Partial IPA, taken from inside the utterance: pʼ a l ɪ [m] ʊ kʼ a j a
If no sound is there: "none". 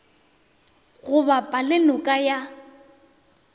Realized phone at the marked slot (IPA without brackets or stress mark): n